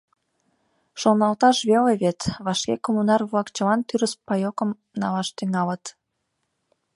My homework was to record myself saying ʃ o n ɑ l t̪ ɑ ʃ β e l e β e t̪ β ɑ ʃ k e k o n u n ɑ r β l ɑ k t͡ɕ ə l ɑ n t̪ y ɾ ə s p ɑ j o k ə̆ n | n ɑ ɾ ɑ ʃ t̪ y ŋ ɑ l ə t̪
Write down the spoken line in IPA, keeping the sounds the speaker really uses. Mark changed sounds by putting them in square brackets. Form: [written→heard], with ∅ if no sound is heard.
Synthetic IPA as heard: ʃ o n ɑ l t̪ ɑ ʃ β e l e β e t̪ β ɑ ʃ k e k o [n→m] u n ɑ r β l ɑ k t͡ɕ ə l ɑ n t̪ y ɾ ə s p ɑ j o k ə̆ [n→m] | n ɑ [ɾ→l] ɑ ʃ t̪ y ŋ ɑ l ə t̪